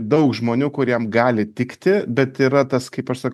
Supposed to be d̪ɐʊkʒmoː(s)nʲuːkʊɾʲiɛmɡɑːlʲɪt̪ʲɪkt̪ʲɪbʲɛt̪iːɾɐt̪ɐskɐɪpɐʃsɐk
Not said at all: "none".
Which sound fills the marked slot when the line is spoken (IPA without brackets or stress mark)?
none